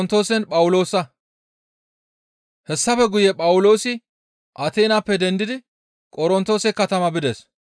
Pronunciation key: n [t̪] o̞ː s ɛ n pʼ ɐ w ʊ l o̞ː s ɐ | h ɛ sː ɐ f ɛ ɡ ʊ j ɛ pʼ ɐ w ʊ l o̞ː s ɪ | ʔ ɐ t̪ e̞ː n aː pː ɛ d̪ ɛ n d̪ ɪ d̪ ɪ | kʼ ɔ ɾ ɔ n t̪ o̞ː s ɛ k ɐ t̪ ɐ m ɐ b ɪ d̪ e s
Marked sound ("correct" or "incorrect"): correct